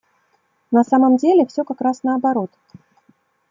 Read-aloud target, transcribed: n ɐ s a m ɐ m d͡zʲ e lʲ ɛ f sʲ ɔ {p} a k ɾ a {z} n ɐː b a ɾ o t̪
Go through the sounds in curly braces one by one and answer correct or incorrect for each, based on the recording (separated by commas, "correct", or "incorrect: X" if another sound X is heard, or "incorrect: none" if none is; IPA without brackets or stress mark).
incorrect: k, incorrect: s